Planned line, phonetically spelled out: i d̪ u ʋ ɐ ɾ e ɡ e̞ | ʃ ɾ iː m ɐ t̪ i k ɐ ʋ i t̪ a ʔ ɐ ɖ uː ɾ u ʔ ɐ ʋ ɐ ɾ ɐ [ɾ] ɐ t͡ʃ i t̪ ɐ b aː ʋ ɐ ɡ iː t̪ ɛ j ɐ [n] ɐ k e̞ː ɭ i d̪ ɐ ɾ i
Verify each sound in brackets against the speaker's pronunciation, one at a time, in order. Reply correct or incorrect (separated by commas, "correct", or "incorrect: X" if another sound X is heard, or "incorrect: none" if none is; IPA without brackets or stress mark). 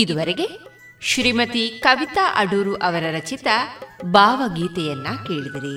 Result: correct, incorrect: nː